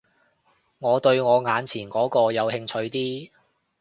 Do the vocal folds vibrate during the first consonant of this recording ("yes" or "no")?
yes